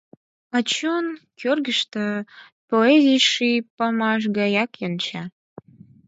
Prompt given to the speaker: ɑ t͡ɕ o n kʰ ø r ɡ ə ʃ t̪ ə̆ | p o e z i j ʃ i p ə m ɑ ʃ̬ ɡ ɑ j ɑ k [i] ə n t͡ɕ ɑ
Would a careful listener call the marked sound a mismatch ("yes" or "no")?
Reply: yes